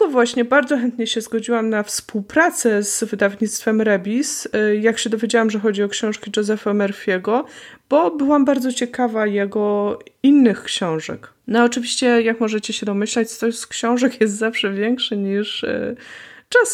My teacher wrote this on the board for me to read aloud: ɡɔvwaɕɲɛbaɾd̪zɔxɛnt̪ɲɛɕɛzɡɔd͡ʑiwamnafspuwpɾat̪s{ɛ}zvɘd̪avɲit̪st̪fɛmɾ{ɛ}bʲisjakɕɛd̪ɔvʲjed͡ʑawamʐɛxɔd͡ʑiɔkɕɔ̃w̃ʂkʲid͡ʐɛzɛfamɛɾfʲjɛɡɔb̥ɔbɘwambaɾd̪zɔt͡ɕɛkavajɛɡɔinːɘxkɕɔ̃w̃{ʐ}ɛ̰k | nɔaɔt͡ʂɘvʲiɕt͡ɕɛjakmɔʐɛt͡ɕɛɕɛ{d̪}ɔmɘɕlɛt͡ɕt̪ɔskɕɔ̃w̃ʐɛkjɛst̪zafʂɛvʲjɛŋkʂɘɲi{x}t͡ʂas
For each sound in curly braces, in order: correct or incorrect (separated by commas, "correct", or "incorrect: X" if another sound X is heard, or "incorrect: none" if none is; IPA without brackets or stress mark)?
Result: correct, correct, correct, correct, incorrect: ʂ